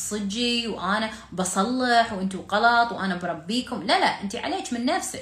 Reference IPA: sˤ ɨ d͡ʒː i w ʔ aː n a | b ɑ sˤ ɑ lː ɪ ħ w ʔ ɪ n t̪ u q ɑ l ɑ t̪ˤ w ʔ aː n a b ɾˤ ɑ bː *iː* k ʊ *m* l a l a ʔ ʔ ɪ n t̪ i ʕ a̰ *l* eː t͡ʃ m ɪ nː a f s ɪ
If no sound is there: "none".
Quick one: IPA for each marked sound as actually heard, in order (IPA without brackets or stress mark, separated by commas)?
iː, m, l